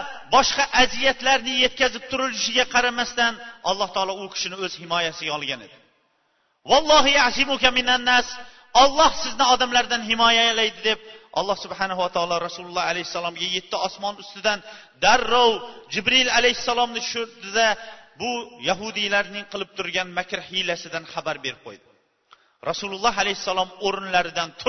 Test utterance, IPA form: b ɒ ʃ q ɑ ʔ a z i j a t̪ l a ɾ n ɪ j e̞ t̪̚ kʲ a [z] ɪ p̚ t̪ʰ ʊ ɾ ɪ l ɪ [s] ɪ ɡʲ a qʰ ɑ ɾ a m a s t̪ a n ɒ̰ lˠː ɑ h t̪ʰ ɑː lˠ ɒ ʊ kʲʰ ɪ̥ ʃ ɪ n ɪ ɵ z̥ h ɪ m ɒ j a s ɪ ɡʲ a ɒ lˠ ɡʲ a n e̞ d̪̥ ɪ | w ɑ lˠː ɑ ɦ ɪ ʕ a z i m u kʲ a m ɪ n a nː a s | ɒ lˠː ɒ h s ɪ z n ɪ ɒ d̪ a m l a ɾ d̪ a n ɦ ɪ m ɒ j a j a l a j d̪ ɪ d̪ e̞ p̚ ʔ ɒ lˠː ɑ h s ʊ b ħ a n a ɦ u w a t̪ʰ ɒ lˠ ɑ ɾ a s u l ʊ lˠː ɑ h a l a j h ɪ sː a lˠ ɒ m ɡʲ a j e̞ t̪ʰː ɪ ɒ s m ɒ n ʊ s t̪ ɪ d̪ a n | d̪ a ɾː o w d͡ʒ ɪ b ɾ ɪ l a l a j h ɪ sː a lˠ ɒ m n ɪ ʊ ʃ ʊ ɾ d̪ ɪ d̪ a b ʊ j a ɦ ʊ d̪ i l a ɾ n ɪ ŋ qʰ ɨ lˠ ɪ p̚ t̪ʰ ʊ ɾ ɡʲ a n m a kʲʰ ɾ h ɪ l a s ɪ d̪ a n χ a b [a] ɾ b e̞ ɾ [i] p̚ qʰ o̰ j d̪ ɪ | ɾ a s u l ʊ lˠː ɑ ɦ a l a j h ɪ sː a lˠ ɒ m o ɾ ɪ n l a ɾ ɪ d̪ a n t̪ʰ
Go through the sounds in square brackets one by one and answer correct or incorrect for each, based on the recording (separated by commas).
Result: correct, incorrect, correct, incorrect